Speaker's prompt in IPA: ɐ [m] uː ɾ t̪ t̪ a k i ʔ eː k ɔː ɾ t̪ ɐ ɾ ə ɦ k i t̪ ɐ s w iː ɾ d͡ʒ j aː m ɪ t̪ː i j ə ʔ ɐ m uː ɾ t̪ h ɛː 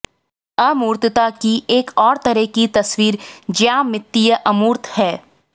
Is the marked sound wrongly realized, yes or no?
no